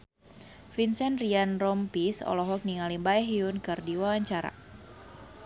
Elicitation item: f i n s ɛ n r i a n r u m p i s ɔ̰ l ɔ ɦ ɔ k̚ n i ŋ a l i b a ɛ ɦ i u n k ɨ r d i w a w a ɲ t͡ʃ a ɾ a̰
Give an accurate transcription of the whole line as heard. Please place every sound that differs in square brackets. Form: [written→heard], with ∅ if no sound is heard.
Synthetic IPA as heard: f i n s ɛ n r i a n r [u→ɔ] m p i s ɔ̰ l ɔ ɦ ɔ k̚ n i ŋ a l i b a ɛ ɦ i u n k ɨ r d i w a w a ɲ t͡ʃ a ɾ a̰